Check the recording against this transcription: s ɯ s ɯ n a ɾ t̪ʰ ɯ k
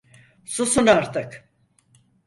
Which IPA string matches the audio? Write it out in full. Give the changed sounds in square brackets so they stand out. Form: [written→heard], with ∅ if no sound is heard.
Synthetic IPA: s [ɯ→u] s [ɯ→u] n a ɾ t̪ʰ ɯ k